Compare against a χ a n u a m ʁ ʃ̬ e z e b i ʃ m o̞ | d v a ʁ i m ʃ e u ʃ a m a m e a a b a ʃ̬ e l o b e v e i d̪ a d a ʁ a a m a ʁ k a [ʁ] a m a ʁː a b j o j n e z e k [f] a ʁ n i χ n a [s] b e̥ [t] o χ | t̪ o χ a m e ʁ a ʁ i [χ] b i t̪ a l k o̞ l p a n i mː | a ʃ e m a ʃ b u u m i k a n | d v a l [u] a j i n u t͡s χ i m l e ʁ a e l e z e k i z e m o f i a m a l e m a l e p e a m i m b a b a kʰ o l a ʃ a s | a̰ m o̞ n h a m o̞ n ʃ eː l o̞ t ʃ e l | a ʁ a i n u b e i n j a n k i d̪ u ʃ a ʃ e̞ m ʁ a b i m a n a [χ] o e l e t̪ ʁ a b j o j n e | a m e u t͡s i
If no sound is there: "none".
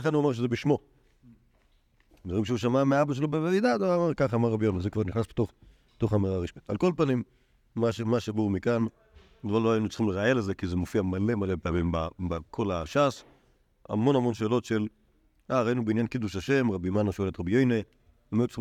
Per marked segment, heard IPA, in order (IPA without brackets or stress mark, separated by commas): χ, v, s, t, ʃ, o, ʃ